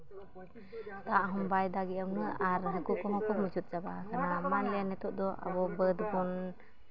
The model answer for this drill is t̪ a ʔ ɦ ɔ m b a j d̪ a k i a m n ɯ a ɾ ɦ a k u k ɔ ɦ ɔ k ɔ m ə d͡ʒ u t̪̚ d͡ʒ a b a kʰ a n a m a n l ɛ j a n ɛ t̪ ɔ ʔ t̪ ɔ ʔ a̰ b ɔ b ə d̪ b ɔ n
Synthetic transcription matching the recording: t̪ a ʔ ɦ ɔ m b a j d̪ a ɡ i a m n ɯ a ɾ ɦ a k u k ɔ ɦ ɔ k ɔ m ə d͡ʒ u t̪̚ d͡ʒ a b a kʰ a n a m a n l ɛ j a n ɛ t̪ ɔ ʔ d̪ ɔ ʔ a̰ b ɔ b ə d̪ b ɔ n